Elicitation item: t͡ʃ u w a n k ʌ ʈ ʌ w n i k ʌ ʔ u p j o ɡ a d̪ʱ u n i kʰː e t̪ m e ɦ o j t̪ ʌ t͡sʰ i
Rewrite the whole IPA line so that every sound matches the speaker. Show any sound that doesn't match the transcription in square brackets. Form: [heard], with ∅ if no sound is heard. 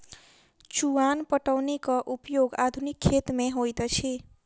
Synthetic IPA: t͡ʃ u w a n [p] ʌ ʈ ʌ w n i k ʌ ʔ u p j o ɡ a d̪ʱ u n i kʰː e t̪ m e ɦ o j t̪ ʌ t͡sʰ i